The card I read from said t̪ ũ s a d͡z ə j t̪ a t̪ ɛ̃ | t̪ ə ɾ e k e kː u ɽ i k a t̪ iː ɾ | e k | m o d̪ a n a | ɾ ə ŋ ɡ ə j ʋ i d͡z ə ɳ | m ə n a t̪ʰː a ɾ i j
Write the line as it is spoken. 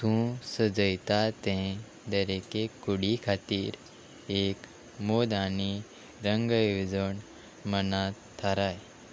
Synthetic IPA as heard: t̪ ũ s ə d͡z ə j t̪ a t̪ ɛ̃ | d̪ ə ɾ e k e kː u ɽ i kʰ a t̪ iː ɾ | e k | m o d̪ a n i | ɾ ə ŋ ɡ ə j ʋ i d͡z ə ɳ | m ə n a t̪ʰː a ɾ a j